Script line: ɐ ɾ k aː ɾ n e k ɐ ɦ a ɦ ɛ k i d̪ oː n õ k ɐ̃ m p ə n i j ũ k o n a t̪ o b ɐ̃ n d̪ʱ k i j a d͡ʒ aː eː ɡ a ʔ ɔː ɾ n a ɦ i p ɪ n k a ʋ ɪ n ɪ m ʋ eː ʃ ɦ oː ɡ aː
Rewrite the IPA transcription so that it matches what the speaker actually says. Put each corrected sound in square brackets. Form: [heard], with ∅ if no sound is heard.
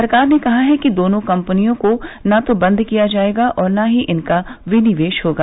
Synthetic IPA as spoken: ɐ ɾ k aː ɾ n e k ɐ ɦ a ɦ ɛ k i d̪ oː n õ k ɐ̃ m p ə n i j [õ] k o n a t̪ o b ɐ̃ n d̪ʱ k i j a d͡ʒ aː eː ɡ a ʔ ɔː ɾ n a ɦ i [ʔ] ɪ n k a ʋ ɪ n ɪ [∅] ʋ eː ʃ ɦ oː ɡ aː